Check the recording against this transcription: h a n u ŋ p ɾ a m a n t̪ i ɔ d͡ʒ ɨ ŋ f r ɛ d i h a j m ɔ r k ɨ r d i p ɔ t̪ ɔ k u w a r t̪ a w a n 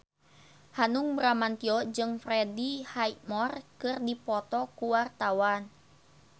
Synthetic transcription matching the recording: h a n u ŋ b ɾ a m a n t̪ i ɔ d͡ʒ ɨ ŋ f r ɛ d i h a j m ɔ r k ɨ r d i p ɔ t̪ ɔ k u w a r t̪ a w a n

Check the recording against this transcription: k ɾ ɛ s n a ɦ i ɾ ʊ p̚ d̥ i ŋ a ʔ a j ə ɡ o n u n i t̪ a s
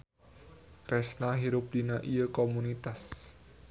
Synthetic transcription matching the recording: k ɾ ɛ s n a ɦ i ɾ ʊ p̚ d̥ i n a ʔ i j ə k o m u n i t̪ a s

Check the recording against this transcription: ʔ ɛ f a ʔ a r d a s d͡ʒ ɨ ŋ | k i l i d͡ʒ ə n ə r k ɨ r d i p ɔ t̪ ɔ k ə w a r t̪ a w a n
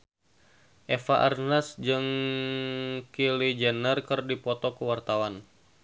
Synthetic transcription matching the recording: ʔ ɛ f a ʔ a r n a s d͡ʒ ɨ ŋ | k i l i d͡ʒ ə n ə r k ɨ r d i p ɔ t̪ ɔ k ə w a r t̪ a w a n

